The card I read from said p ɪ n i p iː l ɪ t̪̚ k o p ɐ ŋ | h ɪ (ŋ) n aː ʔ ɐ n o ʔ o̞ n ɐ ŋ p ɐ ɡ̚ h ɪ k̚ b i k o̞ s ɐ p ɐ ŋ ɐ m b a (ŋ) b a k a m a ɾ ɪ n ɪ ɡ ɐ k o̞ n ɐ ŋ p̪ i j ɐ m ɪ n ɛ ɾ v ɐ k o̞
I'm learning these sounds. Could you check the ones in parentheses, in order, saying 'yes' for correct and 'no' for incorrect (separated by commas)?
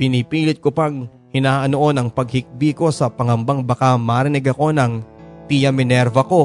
no, yes